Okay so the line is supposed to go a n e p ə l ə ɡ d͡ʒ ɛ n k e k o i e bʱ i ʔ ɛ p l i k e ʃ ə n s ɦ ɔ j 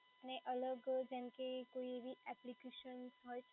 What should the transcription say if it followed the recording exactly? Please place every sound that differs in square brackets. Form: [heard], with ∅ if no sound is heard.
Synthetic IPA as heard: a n e [ʔ] ə l ə ɡ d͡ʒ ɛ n k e k o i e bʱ i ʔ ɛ p l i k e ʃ ə n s ɦ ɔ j